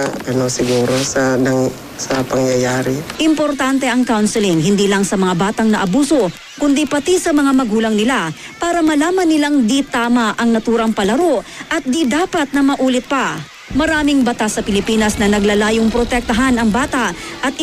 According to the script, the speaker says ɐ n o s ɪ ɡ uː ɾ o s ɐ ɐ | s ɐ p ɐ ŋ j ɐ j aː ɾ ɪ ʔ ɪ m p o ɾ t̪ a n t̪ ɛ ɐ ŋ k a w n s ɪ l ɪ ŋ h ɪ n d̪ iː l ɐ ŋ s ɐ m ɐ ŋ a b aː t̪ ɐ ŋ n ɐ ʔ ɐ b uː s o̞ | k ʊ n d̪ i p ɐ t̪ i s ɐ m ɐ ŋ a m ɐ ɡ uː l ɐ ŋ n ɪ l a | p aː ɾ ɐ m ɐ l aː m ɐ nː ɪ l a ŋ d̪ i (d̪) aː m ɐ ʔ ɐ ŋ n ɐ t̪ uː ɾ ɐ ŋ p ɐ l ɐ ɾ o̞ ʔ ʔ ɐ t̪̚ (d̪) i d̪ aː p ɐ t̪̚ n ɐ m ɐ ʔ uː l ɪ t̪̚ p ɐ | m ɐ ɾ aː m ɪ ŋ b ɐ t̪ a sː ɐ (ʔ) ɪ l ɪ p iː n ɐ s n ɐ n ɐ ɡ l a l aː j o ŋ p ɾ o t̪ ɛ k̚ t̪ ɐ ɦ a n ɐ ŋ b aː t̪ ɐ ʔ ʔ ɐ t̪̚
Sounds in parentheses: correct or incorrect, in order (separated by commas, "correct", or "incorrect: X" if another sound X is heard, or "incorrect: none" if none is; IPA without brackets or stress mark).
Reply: incorrect: t̪, correct, incorrect: p